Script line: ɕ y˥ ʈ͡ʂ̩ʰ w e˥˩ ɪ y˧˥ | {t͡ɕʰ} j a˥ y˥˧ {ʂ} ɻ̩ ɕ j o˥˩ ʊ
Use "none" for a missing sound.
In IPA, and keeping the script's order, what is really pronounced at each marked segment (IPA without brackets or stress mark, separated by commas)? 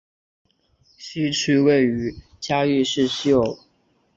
t͡ɕ, ʂ